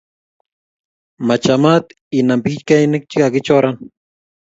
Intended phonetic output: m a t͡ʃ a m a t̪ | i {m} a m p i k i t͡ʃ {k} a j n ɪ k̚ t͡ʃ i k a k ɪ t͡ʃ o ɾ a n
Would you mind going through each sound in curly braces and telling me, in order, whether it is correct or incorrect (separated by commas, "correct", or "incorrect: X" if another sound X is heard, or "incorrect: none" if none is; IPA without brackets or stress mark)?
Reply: incorrect: n, correct